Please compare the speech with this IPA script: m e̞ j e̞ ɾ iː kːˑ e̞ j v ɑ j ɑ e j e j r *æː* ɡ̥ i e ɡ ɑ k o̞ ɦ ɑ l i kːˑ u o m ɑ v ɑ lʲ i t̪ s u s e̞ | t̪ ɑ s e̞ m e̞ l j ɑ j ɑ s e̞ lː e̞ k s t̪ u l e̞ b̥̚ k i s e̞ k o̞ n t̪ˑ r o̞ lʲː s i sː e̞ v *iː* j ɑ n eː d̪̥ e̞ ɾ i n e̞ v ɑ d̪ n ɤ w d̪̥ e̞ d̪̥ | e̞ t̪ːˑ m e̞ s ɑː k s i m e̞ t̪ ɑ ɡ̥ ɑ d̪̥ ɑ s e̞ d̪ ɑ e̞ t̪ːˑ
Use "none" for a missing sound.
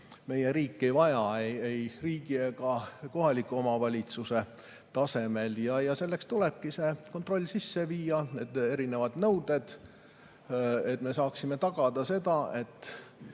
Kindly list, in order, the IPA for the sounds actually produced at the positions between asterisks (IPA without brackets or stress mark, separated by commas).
iː, iː